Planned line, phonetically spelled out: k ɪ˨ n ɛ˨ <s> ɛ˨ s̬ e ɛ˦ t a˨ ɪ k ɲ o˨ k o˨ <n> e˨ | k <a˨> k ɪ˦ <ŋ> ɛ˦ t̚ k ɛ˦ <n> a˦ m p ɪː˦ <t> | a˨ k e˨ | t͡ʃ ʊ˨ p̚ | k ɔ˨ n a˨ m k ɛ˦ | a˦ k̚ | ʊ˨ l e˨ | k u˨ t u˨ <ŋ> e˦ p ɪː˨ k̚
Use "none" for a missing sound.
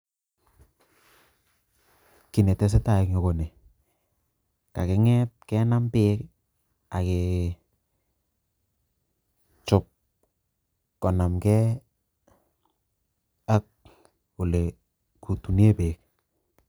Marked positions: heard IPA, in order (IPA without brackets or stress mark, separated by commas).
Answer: t, n, a˨, ŋ, n, k, n